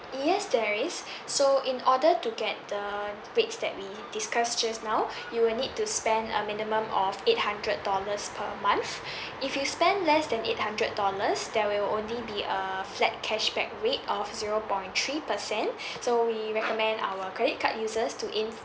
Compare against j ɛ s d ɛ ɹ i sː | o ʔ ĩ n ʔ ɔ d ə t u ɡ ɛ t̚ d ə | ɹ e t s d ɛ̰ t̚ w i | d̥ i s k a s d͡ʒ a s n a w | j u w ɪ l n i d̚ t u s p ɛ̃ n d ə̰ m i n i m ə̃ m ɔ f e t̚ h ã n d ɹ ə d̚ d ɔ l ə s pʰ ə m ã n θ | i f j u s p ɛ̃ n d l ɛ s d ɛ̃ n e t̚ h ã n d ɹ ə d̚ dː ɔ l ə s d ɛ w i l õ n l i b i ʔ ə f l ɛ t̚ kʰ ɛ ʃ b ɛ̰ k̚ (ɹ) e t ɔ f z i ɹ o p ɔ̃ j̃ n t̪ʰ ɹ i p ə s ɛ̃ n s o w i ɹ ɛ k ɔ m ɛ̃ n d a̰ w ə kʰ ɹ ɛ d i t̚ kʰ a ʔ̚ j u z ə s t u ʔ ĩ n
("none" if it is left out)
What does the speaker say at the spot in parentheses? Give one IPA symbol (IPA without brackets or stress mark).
ɹ